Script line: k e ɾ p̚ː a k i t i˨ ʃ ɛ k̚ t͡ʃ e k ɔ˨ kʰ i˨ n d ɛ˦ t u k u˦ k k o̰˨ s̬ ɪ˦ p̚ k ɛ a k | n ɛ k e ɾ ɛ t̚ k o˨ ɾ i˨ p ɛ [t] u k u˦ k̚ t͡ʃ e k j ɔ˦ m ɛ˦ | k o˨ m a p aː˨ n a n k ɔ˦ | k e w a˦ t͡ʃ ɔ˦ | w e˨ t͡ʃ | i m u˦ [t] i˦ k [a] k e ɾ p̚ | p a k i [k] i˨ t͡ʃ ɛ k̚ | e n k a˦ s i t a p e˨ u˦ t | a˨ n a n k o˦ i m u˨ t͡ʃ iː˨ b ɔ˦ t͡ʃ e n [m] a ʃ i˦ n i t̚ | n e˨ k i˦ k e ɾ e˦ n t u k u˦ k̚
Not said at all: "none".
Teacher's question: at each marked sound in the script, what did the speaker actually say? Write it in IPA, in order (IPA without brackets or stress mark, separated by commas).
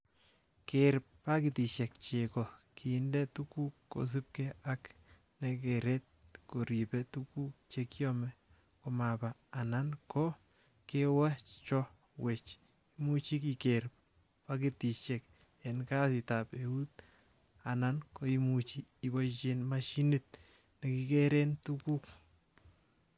t, t͡ʃ, i, t, m